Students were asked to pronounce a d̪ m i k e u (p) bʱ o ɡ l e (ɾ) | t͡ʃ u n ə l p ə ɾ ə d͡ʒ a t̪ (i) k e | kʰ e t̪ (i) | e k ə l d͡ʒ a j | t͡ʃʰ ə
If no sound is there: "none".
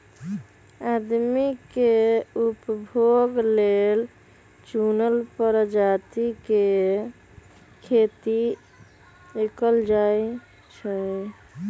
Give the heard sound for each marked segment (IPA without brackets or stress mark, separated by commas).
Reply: p, l, i, i